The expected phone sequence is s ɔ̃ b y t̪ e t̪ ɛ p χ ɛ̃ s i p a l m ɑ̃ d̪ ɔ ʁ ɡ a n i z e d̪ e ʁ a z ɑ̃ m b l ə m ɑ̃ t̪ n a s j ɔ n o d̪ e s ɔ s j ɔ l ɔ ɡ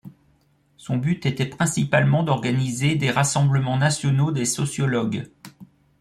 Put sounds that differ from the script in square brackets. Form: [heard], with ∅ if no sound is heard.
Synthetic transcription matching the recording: s ɔ̃ b y t̪ e t̪ ɛ p χ ɛ̃ s i p a l m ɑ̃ d̪ ɔ ʁ ɡ a n i z e d̪ e ʁ a [s] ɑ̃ [∅] b l ə m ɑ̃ [∅] n a s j ɔ n o d̪ e s ɔ s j ɔ l ɔ ɡ